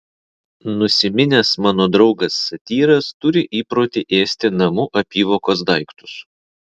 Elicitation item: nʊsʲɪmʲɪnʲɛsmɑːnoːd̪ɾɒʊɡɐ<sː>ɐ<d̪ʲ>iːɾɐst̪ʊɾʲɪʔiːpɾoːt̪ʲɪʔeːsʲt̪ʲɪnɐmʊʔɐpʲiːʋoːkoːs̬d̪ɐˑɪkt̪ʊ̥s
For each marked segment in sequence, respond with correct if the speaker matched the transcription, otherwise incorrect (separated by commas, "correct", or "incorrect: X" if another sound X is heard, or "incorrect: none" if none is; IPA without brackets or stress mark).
correct, incorrect: t̪ʲ